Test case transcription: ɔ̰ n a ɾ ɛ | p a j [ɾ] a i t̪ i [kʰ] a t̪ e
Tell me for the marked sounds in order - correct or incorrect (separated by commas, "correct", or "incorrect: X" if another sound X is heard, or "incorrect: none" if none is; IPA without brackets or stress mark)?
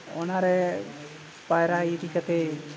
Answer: correct, incorrect: k